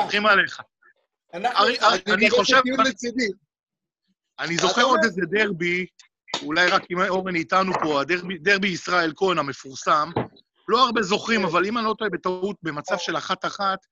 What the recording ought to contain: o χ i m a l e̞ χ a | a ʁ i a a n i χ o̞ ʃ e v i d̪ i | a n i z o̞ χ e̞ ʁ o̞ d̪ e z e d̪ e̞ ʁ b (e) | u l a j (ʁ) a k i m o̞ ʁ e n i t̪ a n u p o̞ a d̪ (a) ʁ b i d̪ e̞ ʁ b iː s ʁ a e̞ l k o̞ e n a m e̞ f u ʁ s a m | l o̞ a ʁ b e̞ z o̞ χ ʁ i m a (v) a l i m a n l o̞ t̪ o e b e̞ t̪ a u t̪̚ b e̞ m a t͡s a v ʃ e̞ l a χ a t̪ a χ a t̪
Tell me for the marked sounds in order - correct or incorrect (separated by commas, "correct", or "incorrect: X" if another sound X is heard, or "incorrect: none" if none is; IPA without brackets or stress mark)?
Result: incorrect: i, correct, incorrect: e, correct